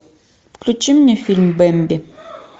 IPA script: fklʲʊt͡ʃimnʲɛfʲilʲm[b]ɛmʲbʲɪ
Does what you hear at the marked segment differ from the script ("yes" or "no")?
no